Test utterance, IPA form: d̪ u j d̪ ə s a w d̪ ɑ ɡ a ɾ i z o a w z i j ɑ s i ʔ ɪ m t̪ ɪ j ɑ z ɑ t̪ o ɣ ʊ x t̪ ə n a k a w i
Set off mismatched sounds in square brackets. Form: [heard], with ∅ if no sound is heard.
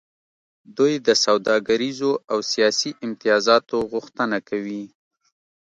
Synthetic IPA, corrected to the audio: d̪ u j d̪ ə s a w d̪ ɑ ɡ a ɾ i z o a w [s] i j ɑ s i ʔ ɪ m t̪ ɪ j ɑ z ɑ t̪ o ɣ ʊ x t̪ ə n a k a w i